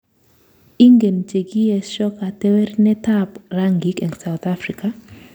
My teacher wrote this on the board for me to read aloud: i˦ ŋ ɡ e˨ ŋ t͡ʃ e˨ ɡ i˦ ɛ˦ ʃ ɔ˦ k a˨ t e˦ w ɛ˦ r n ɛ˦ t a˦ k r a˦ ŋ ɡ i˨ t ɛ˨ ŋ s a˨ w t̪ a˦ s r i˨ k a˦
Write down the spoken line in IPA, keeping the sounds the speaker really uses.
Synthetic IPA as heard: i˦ ŋ ɡ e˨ n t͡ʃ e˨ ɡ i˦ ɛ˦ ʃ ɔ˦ k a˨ t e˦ w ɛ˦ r n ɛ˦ t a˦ p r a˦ ŋ ɡ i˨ k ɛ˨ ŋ s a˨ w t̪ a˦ f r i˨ k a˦